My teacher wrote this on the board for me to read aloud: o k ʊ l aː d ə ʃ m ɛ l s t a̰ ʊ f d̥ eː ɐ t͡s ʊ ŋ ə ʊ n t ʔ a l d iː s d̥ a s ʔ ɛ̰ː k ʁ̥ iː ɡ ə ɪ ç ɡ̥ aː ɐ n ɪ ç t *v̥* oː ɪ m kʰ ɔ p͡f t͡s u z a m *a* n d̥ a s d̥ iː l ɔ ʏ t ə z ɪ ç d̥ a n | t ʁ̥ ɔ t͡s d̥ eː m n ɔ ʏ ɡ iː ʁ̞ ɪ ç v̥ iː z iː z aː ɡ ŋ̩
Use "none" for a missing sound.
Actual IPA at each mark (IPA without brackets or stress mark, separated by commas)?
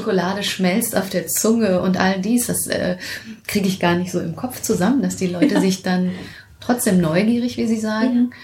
z̥, ə